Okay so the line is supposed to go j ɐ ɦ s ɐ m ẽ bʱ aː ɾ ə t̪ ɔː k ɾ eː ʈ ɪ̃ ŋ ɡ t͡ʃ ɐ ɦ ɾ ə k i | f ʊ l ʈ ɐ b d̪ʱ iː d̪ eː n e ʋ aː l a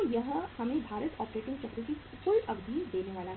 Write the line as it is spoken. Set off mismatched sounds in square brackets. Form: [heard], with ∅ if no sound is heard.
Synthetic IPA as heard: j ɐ ɦ [h] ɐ m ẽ bʱ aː ɾ ə t̪ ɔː [p] ɾ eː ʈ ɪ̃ ŋ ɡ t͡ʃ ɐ ɦ ɾ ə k i | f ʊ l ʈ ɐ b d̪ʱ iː d̪ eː n e ʋ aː l a